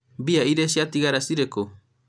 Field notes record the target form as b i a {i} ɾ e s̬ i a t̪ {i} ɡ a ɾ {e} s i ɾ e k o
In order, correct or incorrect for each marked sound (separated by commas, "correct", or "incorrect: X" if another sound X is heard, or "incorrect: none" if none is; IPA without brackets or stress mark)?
correct, correct, incorrect: a